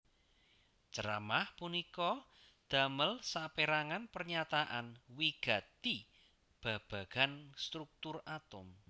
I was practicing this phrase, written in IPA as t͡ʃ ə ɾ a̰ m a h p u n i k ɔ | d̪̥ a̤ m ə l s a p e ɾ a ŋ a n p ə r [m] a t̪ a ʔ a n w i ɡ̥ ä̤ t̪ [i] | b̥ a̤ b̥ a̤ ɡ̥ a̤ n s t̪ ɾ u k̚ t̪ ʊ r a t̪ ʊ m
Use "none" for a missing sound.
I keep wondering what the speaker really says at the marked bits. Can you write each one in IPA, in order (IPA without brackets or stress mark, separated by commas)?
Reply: ɲ, i